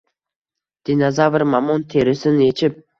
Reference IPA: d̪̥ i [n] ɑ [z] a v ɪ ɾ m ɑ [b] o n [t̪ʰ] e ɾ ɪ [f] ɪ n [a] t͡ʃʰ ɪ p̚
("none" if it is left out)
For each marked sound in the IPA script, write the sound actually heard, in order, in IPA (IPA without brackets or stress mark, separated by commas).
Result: n, z, m, t̪ʰ, s, e